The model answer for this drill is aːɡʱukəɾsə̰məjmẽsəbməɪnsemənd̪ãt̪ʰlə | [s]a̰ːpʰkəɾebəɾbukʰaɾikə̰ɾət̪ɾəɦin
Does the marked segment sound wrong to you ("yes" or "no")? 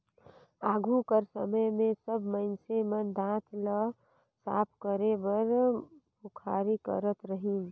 no